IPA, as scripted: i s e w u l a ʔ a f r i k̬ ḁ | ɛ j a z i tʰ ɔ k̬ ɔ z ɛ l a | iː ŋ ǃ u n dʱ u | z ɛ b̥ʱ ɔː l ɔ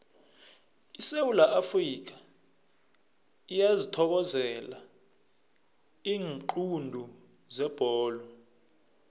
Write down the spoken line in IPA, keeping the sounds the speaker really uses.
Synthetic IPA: i s e w u l a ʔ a f r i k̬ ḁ | i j a z i tʰ ɔ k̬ ɔ z ɛ l a | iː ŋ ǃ u n dʱ u | z ɛ b̥ʱ ɔː l ɔ